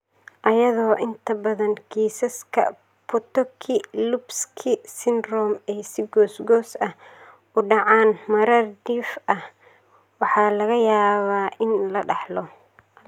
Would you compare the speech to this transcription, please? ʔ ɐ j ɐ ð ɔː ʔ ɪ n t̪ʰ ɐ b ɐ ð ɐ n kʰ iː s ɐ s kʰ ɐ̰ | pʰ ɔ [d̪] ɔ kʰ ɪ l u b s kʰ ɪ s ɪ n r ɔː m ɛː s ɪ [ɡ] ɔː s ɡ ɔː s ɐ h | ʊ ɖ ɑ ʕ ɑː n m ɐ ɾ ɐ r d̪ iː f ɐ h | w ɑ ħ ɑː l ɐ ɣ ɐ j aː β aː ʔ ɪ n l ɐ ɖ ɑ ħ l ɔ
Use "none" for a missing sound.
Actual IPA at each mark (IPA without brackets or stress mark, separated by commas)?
t̪, ɡ